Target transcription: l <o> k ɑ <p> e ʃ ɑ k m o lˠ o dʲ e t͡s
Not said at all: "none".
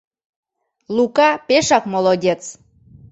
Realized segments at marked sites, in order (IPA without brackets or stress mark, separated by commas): u, p